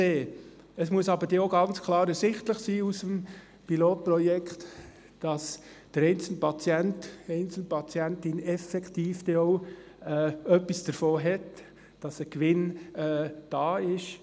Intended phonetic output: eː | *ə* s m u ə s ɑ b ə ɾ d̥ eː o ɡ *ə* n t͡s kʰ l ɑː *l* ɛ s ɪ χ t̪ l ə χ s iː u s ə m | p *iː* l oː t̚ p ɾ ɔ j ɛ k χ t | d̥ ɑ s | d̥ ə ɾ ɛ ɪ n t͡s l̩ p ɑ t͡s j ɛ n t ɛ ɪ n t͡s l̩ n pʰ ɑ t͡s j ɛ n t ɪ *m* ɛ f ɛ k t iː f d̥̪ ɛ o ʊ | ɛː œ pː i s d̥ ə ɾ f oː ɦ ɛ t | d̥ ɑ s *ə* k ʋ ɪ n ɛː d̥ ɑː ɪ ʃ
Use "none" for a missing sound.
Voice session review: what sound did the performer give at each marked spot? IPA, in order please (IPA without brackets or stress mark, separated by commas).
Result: ə, ɑ, ɾ, i, n, ə